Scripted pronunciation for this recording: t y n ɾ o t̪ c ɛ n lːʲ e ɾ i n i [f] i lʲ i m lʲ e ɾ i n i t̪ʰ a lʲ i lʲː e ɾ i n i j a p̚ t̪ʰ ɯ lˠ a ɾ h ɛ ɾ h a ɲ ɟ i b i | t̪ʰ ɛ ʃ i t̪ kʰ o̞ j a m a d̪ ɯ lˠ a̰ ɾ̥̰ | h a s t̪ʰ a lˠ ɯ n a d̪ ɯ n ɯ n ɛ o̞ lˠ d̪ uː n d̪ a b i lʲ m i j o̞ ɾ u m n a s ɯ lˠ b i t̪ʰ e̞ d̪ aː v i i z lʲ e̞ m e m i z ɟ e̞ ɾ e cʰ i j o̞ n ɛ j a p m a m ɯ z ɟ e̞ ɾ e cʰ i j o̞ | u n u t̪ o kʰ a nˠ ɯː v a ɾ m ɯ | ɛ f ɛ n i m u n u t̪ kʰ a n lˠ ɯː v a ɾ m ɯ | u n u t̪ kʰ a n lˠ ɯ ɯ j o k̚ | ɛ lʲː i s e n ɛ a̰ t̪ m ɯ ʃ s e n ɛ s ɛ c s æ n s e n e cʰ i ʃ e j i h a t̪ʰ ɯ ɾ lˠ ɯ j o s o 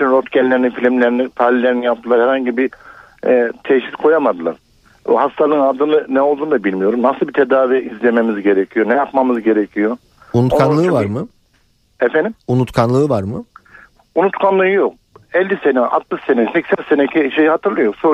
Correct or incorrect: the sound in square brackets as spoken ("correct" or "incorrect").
correct